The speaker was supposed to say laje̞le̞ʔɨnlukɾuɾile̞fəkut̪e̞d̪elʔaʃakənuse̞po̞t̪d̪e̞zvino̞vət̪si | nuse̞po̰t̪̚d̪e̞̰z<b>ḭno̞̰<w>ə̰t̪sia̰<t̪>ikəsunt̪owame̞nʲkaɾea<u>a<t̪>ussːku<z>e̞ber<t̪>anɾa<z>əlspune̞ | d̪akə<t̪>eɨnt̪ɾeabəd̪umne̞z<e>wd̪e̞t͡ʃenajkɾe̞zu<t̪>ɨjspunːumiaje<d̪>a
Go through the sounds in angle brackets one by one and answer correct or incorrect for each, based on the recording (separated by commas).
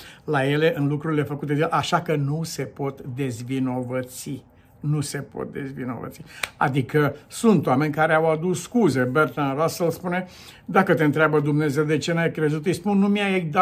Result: incorrect, incorrect, incorrect, incorrect, incorrect, correct, correct, incorrect, correct, correct, correct, correct